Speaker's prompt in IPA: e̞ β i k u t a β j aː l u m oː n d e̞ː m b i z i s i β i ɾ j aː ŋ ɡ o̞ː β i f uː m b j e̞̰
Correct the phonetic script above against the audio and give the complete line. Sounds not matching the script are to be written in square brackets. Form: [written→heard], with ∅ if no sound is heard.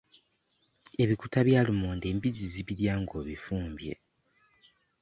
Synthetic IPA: e̞ β i k u t a β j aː l u m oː n d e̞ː m b i z i [s→z] i β i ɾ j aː ŋ ɡ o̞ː β i f uː m b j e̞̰